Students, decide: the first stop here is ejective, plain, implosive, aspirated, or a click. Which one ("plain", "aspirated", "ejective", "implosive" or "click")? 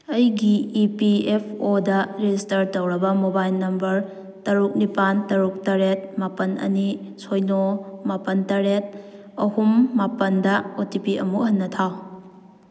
plain